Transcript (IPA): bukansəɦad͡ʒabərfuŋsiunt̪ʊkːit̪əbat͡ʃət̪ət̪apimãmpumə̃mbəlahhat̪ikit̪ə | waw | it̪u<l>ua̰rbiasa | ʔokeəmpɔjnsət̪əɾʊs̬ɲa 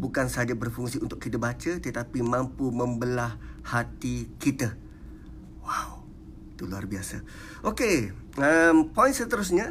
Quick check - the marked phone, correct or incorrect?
correct